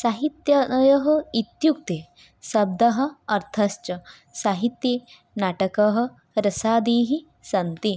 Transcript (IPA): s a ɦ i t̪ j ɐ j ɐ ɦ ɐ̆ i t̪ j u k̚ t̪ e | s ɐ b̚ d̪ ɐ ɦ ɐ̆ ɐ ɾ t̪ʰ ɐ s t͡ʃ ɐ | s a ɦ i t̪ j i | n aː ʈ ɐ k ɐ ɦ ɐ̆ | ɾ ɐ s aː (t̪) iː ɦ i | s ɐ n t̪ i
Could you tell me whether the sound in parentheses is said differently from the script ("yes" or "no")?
yes